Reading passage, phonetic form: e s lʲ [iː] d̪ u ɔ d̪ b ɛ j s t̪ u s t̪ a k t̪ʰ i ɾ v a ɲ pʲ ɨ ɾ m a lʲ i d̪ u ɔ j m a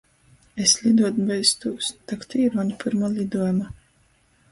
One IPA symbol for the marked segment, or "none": i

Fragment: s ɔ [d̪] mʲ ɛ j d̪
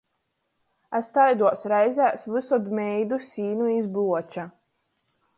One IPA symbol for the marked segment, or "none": d̪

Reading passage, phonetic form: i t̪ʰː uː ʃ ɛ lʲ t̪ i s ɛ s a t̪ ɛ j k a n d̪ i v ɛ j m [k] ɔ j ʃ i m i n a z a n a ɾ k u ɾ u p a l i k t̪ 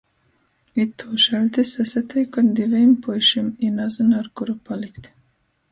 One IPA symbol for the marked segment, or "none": p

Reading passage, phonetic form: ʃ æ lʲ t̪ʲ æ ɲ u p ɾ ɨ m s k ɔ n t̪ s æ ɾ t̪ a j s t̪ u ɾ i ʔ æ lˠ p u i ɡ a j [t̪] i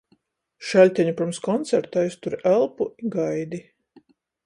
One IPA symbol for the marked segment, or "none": d̪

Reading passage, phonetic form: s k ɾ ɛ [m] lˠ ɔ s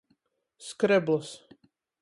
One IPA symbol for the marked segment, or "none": b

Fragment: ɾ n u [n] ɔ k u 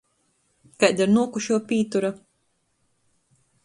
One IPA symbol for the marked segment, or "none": none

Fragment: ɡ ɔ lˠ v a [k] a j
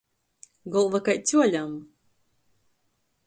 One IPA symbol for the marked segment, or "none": k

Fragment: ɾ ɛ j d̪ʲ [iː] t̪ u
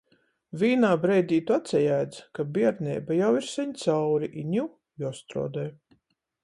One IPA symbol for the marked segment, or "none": iː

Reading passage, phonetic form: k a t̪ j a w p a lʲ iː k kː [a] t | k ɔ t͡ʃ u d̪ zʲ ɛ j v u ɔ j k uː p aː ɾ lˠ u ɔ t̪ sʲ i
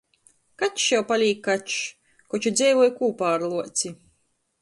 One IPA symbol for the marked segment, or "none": a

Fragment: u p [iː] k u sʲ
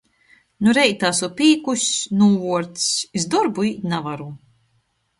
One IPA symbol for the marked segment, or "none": iː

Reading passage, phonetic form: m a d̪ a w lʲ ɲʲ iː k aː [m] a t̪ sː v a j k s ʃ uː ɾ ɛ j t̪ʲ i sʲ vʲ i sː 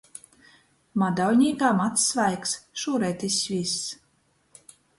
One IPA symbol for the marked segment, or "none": m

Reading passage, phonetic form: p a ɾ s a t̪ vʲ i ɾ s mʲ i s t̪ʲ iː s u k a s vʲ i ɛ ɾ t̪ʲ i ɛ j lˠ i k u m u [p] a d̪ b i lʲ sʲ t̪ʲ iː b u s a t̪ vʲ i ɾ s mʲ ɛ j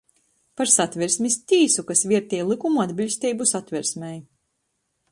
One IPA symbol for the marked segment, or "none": none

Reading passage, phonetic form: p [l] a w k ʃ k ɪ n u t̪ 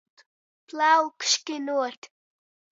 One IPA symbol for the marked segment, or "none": l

